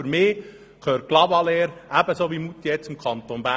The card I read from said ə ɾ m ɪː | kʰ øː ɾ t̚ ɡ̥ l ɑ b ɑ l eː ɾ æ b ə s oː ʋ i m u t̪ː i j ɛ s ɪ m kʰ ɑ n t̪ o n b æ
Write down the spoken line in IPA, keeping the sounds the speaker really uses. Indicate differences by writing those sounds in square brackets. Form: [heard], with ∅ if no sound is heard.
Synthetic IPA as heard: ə ɾ m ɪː | kʰ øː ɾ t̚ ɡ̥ l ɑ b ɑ l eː ɾ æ b ə s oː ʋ i m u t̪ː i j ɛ [t͡s] ɪ m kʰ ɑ n t̪ o n b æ